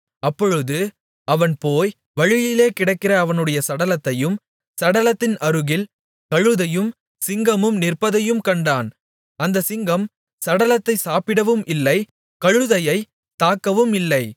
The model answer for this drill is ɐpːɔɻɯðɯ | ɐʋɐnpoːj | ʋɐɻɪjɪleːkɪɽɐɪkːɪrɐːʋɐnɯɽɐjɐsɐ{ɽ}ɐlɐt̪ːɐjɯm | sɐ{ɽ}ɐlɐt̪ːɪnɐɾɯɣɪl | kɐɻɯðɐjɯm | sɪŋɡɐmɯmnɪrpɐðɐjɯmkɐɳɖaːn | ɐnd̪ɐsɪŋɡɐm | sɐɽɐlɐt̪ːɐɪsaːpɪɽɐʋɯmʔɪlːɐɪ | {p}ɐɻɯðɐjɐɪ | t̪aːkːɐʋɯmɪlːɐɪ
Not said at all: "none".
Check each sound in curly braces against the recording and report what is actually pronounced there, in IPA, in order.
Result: ɽ, ɽ, k

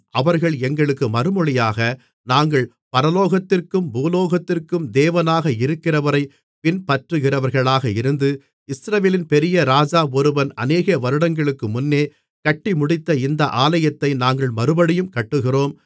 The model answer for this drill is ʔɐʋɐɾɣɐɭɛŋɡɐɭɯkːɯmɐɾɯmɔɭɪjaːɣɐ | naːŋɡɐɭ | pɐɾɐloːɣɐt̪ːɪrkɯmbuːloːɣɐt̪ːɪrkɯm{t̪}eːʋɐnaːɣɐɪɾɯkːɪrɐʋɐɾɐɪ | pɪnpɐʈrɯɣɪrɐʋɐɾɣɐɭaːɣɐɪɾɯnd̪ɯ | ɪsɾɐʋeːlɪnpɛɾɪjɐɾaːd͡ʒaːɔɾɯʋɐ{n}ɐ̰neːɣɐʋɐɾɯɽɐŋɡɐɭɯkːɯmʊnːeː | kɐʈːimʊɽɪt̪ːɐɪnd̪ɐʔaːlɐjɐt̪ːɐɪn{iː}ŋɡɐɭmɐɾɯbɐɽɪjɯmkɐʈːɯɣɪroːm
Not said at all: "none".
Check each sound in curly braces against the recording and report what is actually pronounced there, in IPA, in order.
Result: d̪, n, aː

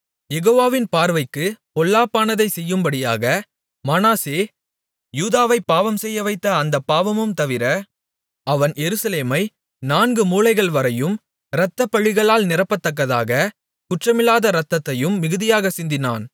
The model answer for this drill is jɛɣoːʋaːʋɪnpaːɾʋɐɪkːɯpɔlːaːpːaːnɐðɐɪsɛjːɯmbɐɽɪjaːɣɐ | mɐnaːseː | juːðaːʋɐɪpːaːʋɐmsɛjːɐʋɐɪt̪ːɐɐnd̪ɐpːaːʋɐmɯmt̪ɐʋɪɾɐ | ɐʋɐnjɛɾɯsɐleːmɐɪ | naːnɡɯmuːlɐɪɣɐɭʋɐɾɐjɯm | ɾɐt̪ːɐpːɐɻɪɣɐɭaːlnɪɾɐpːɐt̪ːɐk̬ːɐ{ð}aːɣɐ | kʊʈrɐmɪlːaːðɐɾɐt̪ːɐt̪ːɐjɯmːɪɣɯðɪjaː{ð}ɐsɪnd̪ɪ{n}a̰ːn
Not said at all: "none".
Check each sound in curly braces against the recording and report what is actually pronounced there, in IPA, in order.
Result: ð, ɣ, n

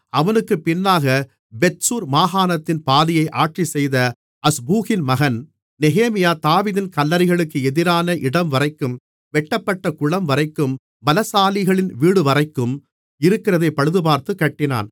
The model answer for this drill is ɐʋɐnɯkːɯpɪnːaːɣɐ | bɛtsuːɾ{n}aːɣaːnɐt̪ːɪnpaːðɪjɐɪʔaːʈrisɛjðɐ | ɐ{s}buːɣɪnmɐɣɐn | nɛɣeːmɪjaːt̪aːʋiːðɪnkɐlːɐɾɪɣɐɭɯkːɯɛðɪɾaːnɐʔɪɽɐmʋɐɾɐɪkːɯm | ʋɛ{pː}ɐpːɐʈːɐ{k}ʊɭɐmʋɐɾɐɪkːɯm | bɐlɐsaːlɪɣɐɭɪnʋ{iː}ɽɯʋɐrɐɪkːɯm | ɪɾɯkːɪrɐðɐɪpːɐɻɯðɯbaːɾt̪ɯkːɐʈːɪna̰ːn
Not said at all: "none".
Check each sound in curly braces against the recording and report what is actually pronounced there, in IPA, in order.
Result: m, s, ʈː, k, iː

